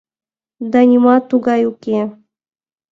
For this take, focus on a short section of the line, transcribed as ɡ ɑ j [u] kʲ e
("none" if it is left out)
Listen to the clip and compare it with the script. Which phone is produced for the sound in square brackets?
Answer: u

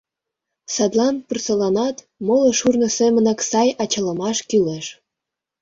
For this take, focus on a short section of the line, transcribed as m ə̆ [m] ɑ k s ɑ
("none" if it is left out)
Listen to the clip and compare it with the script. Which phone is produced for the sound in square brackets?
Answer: n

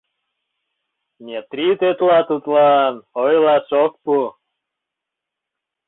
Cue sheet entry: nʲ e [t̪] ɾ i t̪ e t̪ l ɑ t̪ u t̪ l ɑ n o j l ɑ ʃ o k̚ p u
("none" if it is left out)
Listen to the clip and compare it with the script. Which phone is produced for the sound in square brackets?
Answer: t̪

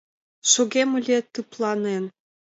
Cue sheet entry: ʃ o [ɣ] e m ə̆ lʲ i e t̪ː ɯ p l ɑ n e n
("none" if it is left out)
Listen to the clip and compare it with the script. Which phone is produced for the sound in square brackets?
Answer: ɣ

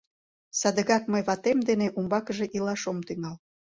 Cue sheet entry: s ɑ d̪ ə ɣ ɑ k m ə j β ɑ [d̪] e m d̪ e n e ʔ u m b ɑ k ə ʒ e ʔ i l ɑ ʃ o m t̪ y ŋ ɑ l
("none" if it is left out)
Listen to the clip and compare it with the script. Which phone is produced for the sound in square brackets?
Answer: t̪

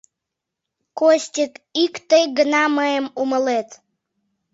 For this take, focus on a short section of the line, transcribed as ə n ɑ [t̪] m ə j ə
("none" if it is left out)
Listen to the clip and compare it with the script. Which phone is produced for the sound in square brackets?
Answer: none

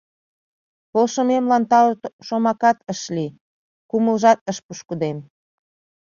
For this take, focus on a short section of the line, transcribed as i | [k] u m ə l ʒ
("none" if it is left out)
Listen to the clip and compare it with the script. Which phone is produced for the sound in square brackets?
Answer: k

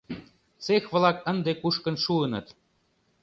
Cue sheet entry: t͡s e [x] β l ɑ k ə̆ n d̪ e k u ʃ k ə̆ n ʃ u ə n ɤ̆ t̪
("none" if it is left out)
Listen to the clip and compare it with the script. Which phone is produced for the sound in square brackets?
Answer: x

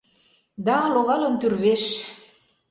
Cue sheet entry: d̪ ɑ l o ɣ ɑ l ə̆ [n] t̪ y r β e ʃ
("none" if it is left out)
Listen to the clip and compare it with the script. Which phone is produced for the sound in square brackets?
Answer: n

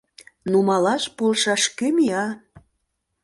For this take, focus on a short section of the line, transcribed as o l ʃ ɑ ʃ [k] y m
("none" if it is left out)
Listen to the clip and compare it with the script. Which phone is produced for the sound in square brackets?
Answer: k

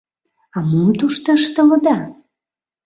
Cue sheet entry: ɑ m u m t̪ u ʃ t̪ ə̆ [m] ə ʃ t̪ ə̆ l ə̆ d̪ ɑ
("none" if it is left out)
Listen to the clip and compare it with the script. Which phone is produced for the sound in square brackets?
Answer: none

